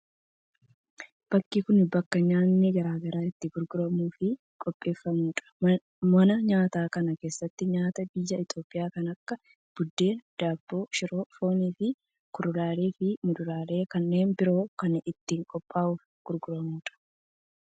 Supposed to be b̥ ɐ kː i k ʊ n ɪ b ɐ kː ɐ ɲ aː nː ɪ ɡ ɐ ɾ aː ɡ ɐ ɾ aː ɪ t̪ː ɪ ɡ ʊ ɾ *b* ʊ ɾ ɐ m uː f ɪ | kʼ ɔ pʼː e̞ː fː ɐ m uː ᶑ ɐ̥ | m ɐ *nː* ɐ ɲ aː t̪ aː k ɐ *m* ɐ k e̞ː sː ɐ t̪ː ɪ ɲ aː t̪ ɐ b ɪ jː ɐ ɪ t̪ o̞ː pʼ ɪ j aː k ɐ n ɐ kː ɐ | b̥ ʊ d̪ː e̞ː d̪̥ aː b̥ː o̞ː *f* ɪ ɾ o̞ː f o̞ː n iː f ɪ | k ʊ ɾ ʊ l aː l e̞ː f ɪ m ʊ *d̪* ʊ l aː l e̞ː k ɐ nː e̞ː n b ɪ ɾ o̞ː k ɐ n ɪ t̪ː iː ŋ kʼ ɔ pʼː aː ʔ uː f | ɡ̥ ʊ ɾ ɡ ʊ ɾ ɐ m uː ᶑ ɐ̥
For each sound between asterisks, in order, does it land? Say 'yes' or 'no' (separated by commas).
no, no, no, no, yes